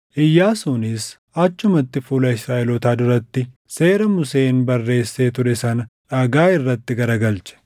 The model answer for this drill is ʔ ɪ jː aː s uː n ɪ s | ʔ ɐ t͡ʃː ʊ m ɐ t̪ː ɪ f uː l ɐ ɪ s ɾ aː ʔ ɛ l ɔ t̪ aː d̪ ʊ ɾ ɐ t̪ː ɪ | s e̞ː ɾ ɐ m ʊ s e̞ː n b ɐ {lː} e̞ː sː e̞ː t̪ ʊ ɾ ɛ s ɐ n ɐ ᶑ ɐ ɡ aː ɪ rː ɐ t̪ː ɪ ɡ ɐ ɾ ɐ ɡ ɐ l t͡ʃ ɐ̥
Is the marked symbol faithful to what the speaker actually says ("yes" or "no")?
no